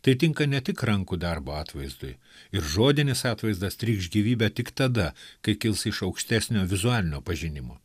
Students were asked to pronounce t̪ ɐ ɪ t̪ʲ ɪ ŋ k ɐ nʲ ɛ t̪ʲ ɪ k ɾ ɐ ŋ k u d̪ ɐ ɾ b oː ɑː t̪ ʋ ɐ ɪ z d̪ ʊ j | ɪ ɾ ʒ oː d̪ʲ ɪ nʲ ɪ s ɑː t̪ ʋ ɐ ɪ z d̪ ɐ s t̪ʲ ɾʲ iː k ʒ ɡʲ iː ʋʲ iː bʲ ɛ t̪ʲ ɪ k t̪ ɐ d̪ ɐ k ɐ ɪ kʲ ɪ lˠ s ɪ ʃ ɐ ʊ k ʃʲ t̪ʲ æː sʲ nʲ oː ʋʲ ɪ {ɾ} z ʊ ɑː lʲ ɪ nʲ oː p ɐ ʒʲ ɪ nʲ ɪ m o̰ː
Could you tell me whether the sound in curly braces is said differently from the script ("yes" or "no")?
yes